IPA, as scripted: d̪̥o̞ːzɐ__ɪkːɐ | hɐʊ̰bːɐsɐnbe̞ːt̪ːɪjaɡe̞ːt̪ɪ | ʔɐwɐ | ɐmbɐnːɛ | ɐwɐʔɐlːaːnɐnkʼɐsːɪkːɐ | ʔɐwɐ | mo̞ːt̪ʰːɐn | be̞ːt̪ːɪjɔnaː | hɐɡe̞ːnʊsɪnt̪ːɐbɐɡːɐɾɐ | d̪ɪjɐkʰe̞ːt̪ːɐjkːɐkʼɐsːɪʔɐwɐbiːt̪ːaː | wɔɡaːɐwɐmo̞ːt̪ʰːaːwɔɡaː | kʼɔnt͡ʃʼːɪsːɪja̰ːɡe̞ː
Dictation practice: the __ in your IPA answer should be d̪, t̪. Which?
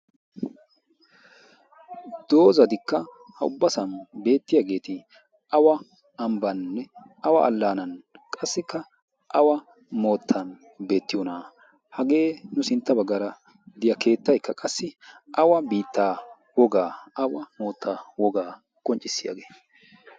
d̪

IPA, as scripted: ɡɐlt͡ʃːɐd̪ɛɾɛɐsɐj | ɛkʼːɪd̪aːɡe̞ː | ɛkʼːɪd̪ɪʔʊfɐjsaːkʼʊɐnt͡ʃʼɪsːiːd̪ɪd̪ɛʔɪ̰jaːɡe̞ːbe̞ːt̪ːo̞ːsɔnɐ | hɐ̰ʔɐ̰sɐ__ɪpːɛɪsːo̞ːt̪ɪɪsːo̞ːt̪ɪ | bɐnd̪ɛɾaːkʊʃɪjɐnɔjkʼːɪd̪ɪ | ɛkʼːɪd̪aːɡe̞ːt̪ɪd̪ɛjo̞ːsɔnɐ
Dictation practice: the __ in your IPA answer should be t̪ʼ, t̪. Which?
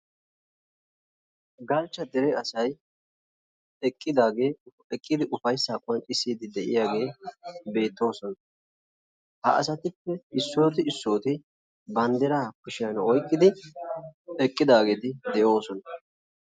t̪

